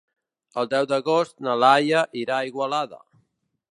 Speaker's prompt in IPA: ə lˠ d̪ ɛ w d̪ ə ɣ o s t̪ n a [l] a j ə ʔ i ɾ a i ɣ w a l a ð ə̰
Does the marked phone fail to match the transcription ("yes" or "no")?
no